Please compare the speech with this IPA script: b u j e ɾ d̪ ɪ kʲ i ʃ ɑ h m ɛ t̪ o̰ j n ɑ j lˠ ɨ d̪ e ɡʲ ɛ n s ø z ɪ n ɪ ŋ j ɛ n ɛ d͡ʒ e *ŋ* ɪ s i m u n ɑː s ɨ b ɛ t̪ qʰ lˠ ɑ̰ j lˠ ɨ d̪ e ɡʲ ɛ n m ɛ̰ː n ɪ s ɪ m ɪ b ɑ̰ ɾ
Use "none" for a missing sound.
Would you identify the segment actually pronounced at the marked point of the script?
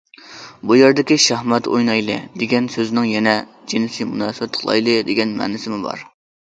n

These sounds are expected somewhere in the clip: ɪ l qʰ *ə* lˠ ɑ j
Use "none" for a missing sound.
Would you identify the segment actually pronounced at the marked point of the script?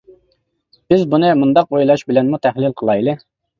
ə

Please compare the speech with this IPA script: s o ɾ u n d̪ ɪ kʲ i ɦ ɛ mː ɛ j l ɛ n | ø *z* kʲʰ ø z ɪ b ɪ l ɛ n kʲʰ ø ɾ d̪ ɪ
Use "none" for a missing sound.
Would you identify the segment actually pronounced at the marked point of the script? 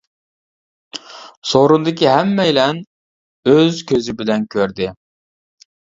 z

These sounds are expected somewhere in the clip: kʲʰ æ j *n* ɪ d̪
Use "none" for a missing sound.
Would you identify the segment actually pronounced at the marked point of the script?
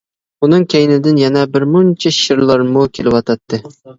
n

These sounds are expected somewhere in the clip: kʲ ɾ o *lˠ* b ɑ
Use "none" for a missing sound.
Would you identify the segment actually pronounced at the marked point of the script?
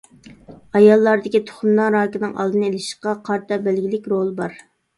lˠ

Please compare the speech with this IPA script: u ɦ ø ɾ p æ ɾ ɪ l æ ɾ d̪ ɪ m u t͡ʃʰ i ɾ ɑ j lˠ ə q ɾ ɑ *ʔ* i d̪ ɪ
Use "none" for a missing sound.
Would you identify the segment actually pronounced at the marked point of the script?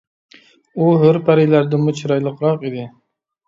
q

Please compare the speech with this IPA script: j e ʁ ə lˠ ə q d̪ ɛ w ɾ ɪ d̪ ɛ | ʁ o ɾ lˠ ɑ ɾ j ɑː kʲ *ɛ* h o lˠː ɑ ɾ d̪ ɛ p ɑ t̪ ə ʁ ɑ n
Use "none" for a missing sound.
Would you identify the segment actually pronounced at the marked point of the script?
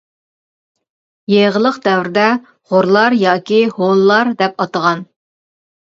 i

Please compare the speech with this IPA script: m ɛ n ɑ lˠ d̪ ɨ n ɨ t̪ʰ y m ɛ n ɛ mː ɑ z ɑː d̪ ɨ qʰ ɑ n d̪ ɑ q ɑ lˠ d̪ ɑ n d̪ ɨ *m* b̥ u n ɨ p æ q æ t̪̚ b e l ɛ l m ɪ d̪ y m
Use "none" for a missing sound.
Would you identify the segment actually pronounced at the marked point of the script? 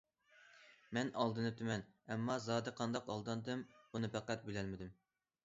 m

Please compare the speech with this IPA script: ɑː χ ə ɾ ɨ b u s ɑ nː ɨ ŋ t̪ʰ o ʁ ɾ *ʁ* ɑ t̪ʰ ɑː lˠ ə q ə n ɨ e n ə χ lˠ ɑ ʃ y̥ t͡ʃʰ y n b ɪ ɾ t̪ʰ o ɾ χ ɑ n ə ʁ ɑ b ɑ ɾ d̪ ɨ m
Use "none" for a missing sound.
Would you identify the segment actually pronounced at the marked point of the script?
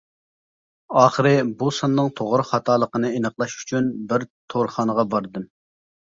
χ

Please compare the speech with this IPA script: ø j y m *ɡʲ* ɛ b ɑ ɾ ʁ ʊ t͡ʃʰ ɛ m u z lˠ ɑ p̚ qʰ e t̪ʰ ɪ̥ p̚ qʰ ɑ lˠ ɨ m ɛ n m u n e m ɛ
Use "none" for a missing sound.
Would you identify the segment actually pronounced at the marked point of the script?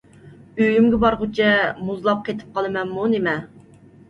ɡʲ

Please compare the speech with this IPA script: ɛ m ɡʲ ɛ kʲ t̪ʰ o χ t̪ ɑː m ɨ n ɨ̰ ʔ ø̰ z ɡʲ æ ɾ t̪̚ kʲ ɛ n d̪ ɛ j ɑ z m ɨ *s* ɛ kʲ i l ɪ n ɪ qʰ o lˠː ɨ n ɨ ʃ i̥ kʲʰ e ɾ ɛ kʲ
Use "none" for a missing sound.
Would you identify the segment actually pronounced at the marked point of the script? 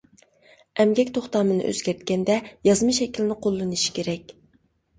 ʃ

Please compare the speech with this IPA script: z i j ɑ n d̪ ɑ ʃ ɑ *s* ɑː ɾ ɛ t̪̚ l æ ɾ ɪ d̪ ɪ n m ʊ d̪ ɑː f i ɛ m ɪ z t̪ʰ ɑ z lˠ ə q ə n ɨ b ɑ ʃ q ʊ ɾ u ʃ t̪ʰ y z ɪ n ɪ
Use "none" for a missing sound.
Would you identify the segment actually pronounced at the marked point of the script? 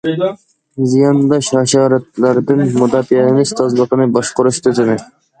ʃ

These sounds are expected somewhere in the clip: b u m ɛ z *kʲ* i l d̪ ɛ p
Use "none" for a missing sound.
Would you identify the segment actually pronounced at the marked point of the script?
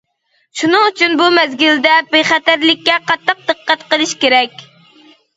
ɡʲ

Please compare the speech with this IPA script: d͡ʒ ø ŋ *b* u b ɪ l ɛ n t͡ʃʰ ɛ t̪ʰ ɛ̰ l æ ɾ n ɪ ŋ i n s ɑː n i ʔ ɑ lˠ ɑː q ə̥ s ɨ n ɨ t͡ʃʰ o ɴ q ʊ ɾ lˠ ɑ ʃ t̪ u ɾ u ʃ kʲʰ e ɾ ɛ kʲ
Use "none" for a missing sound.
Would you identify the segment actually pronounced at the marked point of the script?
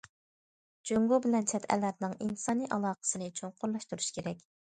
ɡ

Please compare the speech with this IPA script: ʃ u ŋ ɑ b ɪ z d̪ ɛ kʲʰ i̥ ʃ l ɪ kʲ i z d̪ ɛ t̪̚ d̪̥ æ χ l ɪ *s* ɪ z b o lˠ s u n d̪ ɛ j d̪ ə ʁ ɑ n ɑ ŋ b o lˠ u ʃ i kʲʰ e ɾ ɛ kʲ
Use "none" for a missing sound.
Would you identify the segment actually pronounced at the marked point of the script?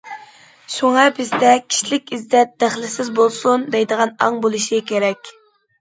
s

